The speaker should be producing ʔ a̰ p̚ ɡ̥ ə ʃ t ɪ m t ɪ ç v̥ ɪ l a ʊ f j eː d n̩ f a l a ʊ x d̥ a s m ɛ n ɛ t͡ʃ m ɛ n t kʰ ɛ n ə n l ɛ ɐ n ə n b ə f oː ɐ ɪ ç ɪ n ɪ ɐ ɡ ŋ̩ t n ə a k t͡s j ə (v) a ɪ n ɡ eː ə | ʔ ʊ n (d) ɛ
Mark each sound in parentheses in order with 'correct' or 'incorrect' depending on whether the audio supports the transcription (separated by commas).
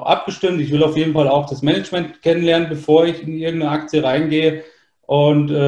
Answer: incorrect, incorrect